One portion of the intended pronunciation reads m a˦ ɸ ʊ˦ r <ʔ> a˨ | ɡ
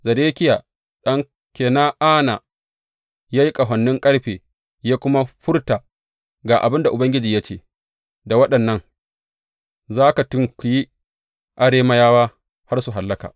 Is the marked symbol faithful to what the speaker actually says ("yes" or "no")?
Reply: no